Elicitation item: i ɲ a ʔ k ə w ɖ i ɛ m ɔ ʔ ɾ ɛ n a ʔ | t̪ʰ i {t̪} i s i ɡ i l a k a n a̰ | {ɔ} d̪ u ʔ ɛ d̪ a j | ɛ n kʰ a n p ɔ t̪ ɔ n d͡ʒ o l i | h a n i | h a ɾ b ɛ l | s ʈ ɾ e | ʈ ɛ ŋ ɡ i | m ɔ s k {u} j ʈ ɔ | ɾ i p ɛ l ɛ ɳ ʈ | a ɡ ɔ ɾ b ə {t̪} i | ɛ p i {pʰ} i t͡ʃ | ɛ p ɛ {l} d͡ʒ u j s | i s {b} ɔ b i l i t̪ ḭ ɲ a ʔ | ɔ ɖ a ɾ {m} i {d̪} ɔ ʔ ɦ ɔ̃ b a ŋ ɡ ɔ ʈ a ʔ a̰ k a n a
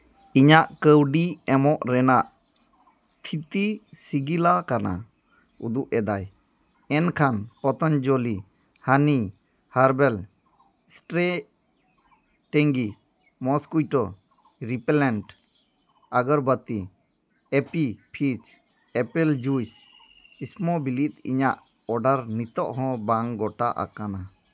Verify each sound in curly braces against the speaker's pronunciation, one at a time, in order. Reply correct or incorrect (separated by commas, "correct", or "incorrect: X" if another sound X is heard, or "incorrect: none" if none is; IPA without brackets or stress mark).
correct, incorrect: u, correct, correct, correct, correct, incorrect: m, incorrect: n, incorrect: t̪